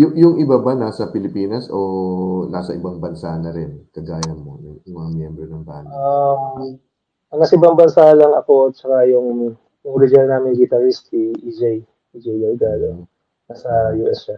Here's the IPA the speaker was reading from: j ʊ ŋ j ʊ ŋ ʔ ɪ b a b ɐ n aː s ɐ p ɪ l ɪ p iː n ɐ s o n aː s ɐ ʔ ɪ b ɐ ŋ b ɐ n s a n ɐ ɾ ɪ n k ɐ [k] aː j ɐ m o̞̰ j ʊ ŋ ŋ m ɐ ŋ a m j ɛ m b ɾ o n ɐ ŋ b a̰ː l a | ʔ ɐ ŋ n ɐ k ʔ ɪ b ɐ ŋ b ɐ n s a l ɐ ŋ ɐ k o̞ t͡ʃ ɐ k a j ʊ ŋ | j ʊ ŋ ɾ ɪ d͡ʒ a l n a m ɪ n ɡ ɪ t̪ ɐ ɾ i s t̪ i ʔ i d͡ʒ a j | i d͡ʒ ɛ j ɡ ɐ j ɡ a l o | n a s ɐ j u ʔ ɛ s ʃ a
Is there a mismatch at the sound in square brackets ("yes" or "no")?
yes